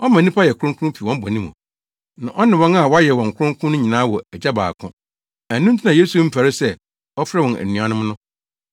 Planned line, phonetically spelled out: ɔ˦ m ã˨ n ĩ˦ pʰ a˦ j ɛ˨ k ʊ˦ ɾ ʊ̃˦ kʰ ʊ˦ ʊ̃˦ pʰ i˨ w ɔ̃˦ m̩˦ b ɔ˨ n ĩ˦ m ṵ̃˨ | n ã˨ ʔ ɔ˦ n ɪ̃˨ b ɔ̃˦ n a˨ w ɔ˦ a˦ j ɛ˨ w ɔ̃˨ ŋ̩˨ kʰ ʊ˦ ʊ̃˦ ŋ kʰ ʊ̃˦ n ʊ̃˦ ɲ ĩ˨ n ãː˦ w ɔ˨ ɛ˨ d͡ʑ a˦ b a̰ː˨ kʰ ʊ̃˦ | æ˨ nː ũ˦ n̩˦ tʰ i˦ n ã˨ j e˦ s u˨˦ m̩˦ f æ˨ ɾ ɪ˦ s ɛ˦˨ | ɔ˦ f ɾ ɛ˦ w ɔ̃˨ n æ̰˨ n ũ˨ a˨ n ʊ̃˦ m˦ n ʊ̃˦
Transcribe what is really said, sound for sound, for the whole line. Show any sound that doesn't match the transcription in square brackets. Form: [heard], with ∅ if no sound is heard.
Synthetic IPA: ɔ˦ m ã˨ n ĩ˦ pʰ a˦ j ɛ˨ k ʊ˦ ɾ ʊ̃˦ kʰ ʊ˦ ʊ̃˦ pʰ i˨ w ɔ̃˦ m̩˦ b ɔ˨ n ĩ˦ m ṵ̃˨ | n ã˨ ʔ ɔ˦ n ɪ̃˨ [w] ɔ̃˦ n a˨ w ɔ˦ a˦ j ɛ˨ w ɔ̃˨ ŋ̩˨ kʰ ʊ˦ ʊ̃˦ ŋ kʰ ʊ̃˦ n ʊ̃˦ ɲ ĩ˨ n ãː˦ w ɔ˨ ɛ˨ d͡ʑ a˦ b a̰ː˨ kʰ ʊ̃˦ | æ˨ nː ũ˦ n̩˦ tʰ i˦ n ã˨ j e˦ s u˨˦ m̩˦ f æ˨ ɾ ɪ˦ s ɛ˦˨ | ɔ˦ f ɾ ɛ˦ w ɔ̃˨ n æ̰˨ n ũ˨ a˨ n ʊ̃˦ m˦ n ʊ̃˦